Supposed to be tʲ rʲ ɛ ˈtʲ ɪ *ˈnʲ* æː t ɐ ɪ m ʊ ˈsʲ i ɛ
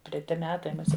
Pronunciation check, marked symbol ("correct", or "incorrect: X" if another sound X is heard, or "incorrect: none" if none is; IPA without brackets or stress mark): incorrect: mʲ